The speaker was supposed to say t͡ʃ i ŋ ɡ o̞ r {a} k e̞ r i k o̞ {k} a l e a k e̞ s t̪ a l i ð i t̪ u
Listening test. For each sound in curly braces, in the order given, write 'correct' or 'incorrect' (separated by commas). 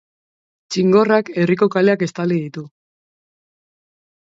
correct, correct